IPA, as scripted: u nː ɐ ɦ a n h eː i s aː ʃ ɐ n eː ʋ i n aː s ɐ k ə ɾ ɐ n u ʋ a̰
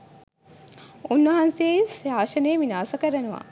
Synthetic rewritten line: u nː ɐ ɦ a n s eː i s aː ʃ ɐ n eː ʋ i n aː s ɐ k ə ɾ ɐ n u ʋ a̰

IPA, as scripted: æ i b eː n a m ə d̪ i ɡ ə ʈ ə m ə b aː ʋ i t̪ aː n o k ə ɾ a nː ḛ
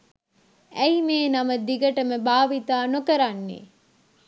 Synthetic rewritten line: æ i m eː n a m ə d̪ i ɡ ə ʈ ə m ə b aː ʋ i t̪ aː n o k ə ɾ a nː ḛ

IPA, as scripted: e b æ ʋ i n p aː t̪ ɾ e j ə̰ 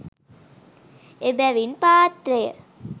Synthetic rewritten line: e b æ ʋ i n p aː t̪ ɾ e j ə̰

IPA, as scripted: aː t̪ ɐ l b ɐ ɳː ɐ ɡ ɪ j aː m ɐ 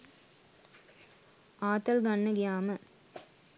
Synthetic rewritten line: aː t̪ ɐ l ɡ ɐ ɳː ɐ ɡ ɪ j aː m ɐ

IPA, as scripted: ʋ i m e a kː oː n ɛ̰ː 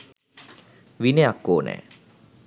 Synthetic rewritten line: ʋ i n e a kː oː n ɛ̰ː

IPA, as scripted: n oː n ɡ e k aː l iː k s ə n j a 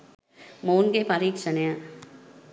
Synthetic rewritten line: m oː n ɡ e p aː ɾ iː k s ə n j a

